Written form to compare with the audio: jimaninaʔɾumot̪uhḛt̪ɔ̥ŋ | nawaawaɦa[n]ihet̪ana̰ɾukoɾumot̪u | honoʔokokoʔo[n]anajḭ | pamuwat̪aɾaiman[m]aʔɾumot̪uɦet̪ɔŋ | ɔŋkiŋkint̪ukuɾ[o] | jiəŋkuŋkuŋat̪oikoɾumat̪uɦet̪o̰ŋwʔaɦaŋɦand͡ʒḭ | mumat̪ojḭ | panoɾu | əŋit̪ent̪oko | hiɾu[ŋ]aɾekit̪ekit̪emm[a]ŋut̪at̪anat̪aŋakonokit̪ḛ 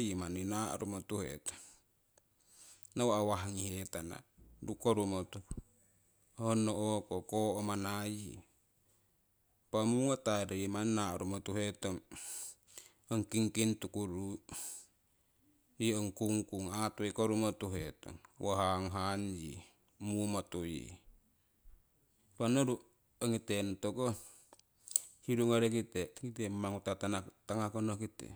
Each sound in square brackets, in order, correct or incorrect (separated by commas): incorrect, incorrect, incorrect, incorrect, correct, correct